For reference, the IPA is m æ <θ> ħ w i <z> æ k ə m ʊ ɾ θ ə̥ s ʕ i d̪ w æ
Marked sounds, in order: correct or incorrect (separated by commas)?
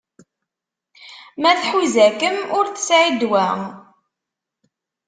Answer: correct, correct